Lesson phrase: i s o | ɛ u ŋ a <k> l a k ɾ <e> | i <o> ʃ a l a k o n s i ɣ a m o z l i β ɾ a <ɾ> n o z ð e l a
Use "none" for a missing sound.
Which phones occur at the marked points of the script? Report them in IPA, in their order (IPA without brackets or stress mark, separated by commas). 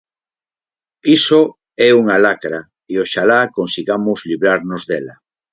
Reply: none, a, o, ɾ